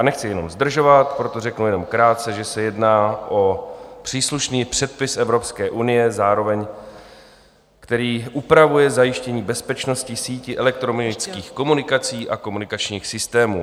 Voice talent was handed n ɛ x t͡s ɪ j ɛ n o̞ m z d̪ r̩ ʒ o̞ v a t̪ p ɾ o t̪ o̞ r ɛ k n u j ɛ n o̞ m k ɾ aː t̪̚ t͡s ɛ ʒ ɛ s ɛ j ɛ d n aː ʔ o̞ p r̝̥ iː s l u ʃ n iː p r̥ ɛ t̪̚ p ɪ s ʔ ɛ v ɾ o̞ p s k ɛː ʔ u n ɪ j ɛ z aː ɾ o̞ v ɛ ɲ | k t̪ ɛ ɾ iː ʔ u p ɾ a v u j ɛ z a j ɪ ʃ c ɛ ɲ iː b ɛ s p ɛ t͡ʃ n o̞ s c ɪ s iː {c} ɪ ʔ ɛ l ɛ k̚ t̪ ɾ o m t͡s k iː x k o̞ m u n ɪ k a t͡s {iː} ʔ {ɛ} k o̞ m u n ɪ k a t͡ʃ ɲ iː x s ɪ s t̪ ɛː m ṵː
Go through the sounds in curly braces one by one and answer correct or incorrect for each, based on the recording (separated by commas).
correct, correct, incorrect